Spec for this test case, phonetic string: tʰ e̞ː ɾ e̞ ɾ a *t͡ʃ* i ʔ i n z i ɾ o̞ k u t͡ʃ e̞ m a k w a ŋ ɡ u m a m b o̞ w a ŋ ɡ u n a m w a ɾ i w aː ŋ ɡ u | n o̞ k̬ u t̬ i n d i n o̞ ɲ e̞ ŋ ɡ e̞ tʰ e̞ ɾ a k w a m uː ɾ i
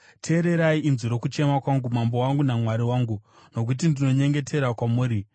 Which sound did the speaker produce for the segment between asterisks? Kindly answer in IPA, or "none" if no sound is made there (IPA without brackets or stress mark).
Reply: none